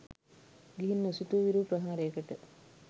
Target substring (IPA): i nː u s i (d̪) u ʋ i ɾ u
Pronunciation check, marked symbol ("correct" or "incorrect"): incorrect